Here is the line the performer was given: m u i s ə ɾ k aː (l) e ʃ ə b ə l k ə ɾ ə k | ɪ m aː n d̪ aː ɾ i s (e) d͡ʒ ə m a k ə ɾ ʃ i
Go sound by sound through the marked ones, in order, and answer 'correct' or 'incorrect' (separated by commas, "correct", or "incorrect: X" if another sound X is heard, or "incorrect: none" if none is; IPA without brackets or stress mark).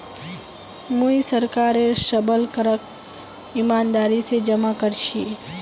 incorrect: ɾ, correct